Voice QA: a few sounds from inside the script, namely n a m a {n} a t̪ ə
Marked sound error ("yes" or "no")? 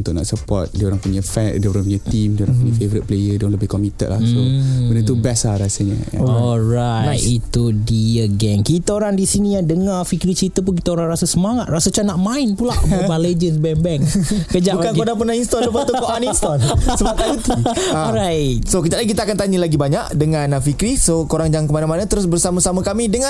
no